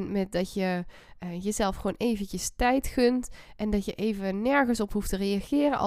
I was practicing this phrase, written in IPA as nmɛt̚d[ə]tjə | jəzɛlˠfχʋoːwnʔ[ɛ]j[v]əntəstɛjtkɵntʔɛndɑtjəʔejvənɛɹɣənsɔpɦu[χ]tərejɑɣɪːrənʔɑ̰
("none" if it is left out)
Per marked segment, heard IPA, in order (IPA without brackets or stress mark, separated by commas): ɑ, e, v, f